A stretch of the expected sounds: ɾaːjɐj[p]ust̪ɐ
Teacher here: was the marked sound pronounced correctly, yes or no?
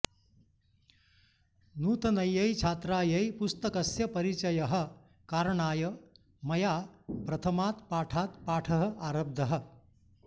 yes